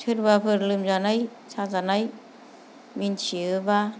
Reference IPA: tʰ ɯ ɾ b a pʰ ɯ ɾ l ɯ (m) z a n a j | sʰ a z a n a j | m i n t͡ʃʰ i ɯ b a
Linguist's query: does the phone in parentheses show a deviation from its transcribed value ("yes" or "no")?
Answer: no